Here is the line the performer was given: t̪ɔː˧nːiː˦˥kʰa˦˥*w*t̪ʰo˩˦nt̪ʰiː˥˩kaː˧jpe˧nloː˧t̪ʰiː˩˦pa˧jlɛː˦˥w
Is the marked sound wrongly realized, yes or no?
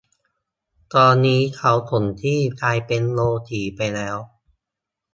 no